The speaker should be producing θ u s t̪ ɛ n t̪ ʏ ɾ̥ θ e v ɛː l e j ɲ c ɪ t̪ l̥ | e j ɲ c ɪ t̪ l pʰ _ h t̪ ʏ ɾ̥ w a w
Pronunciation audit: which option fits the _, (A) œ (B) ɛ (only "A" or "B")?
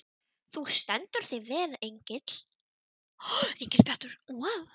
B